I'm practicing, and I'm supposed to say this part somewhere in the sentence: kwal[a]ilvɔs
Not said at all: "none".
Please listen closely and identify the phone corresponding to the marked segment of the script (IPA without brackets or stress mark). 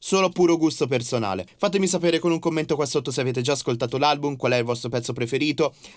ɛ